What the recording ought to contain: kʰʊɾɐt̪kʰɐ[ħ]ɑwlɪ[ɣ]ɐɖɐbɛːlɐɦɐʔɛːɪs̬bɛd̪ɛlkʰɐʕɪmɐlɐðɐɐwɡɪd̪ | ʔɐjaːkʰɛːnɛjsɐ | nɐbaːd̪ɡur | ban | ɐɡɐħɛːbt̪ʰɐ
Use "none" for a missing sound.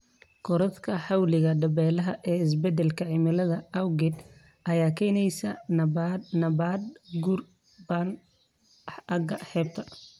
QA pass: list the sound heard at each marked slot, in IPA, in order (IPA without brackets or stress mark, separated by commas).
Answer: ħ, ɣ